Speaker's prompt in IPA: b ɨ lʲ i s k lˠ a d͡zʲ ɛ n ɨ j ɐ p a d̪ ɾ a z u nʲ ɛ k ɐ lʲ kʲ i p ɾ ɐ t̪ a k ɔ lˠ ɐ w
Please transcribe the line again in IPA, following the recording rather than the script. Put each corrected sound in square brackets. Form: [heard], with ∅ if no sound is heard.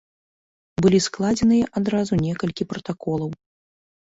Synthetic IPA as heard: b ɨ lʲ i s k lˠ a d͡zʲ ɛ n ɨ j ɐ [ʔ] a d̪ ɾ a z u nʲ ɛ k ɐ lʲ kʲ i p ɾ ɐ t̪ a k ɔ lˠ ɐ w